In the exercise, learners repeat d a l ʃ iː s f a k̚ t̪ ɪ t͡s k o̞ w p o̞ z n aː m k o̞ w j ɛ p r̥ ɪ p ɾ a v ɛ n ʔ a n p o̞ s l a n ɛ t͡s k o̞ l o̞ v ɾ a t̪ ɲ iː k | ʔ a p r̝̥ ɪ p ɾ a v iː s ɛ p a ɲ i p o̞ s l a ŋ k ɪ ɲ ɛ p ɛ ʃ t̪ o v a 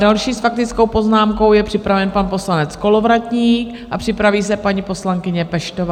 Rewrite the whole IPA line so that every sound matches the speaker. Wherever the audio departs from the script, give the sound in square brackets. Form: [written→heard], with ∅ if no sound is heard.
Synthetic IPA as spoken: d a l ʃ iː s f a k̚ t̪ ɪ t͡s k o̞ w p o̞ z n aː m k o̞ w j ɛ p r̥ ɪ p ɾ a v ɛ n [ʔ→p] a n p o̞ s l a n ɛ t͡s k o̞ l o̞ v ɾ a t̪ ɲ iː k | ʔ a p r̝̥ ɪ p ɾ a v iː s ɛ p a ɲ i p o̞ s l a ŋ k ɪ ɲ ɛ p ɛ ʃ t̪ o v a